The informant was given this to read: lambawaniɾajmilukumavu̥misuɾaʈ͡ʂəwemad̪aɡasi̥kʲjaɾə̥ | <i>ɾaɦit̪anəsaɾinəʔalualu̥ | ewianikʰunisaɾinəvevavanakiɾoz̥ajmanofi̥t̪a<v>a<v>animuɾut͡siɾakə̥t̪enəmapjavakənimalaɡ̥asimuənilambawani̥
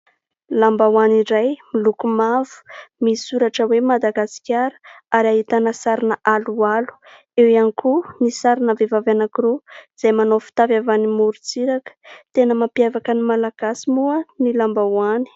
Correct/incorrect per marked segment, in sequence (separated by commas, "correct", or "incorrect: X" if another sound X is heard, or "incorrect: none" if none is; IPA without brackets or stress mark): incorrect: a, correct, correct